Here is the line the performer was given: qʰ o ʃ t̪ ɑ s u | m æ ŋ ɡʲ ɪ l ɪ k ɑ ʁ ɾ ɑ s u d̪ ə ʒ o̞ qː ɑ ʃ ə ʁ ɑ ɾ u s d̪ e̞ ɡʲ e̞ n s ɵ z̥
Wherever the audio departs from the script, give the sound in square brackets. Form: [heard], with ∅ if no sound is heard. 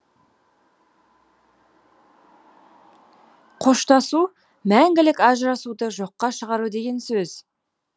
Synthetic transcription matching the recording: qʰ o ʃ t̪ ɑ s u | m æ ŋ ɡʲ ɪ l ɪ k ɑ [ʒ] ɾ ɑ s u d̪ ə ʒ o̞ qː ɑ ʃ ə ʁ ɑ ɾ u [∅] d̪ e̞ ɡʲ e̞ n s ɵ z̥